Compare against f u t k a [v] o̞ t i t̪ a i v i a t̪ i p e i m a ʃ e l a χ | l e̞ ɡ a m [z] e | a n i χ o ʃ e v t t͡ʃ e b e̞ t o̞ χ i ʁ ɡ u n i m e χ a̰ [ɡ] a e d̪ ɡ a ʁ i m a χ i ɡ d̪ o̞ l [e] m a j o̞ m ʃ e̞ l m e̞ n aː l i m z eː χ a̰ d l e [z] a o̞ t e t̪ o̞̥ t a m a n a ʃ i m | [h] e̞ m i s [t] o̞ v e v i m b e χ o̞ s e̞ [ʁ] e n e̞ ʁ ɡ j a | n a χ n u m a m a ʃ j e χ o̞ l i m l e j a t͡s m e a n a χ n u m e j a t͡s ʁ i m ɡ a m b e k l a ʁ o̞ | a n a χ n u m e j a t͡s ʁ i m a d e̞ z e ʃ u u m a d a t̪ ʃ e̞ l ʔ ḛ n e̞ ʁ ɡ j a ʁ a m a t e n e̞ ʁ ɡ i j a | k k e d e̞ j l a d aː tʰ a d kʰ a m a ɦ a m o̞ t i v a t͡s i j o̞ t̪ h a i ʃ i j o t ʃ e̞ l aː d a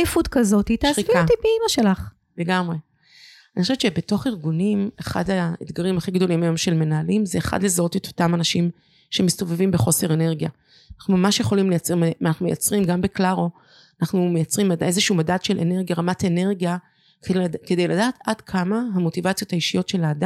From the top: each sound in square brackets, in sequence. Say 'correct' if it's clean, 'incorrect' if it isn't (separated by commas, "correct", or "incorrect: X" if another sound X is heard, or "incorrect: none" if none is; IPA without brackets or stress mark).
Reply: incorrect: z, incorrect: ʁ, incorrect: d, incorrect: i, correct, incorrect: ʃ, correct, correct